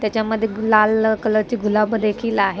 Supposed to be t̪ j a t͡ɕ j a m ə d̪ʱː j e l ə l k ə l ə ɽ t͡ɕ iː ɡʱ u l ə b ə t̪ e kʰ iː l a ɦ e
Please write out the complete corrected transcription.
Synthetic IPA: t̪ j a t͡ɕ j a m ə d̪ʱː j e l a l k ə l ə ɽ t͡ɕ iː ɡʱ u l a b ə d̪ e kʰ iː l a ɦ e

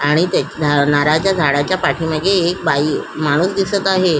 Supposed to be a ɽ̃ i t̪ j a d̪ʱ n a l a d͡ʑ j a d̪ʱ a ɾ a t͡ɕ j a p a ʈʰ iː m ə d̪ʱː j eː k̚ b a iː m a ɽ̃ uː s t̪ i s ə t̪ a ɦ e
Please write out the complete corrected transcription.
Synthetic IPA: a ɽ̃ i t̪ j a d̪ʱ n a ɾ a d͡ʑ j a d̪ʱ a ɽ a t͡ɕ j a p a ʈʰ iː m ə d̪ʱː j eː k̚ b a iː m a ɽ̃ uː s d̪ i s ə t̪ a ɦ e

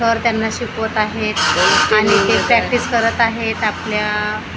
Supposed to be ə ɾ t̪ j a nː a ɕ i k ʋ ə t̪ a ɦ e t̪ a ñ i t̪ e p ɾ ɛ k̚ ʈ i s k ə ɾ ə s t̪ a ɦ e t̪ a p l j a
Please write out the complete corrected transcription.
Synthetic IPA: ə ɾ t̪ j a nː a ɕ i k ʋ ə t̪ a ɦ e t̪ a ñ i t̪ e p ɾ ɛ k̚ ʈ i s k ə ɾ ə t̪ a ɦ e t̪ a p l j a

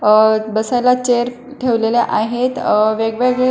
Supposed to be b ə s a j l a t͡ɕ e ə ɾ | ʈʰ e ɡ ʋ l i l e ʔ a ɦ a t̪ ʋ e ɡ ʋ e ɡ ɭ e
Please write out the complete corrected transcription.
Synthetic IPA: b ə s a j l a t͡ɕ e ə ɾ | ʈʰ e ʋ l e l e ʔ a ɦ e t̪ ʋ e ɡ ʋ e ɡ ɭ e

